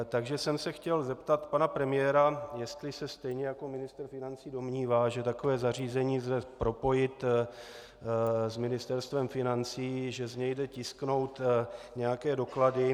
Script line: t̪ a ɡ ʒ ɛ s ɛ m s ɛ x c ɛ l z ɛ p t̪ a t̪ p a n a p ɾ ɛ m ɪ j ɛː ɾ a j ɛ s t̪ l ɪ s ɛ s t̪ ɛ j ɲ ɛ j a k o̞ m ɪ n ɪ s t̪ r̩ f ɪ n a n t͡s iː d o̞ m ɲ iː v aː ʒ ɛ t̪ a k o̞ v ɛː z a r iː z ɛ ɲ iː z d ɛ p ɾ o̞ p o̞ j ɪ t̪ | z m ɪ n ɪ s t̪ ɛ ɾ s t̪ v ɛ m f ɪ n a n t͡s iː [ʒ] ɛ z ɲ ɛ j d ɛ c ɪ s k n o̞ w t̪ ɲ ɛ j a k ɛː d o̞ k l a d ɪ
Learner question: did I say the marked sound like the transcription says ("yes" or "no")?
yes